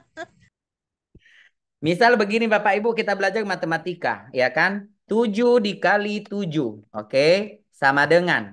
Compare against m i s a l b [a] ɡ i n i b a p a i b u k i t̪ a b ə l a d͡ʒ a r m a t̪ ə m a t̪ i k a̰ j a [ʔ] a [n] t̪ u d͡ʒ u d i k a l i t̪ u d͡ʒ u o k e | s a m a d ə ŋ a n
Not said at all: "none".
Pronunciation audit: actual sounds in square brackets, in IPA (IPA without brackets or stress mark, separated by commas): ə, k, n